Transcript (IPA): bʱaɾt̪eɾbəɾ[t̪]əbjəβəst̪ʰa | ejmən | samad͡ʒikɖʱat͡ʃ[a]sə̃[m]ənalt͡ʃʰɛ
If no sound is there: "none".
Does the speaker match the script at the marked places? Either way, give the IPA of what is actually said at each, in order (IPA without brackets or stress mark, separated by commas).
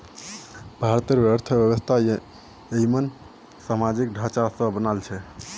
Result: t̪ʰ, a, b